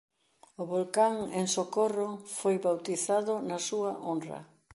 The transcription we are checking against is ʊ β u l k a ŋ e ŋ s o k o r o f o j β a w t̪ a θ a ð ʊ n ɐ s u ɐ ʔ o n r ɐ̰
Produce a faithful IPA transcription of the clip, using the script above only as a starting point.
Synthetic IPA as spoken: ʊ β o l k a ŋ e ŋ s o k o r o f o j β a w t̪ i θ a ð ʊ n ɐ s u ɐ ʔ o n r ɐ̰

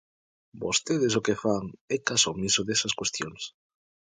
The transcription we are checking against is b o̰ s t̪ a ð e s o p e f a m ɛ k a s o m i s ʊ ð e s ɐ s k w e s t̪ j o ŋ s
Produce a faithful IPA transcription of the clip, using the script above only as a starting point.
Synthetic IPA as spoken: b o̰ s t̪ e ð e s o k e f a ŋ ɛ k a s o m i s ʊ ð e s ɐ s k w e s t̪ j o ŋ s

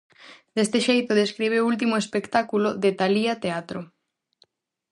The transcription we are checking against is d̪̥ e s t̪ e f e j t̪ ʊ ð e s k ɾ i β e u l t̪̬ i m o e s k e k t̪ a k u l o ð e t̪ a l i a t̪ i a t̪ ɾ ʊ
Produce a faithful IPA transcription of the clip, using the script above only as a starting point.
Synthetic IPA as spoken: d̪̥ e s t̪ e ʃ e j t̪ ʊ ð e s k ɾ i β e u l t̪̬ i m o e s p e k t̪ a k u l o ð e t̪ a l i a t̪ e a t̪ ɾ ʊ

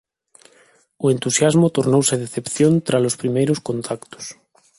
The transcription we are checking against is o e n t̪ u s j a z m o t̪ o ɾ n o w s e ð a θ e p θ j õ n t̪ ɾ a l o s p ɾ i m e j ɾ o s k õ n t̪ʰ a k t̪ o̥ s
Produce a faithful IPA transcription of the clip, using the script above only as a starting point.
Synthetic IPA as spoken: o e n t̪ u s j a z m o t̪ o ɾ n o w s e ð e θ e p θ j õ n t̪ ɾ a l o s p ɾ i m e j ɾ o s k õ n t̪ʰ a k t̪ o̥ s

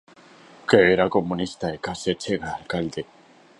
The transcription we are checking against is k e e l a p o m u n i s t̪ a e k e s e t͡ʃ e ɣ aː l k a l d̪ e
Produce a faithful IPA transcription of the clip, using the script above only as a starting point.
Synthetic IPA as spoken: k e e ɾ a k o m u n i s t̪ a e k a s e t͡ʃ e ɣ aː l k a l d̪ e

